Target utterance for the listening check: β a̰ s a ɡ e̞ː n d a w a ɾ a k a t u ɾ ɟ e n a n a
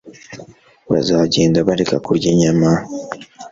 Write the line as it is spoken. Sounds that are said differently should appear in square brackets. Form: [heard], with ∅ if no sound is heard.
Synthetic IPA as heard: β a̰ [z] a [ɟ] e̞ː n d a [β] a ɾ [e] k a [k] u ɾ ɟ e [ɲ] a [m] a